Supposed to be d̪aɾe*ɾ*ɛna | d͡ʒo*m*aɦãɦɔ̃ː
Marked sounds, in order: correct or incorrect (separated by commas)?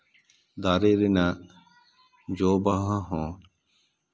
correct, incorrect